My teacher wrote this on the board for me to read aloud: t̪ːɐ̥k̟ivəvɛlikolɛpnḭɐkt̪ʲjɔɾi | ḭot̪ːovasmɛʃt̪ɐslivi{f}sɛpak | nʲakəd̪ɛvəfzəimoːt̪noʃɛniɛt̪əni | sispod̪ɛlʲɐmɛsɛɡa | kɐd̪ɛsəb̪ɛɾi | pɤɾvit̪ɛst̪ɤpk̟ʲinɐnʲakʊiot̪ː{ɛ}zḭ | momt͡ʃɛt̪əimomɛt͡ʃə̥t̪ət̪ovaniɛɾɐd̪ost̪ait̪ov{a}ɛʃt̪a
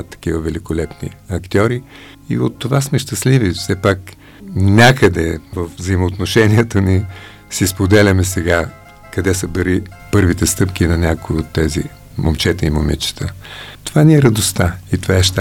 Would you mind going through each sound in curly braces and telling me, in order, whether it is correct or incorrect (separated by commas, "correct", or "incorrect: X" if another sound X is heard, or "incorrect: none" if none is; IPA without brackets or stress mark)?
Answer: correct, correct, correct